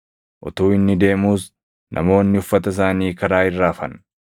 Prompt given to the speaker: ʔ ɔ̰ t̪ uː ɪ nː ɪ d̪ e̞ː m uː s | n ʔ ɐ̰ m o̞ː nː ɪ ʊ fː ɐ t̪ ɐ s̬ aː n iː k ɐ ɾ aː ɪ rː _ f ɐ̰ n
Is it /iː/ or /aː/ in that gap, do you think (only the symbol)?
aː